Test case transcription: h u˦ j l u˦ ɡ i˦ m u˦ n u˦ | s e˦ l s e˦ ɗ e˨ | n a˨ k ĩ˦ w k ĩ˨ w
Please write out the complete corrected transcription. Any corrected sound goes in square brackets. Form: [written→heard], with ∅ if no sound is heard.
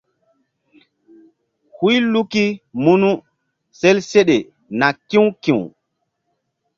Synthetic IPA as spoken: h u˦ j l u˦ [ɡ→k] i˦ m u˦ n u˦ | s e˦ l s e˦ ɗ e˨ | n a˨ k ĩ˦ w k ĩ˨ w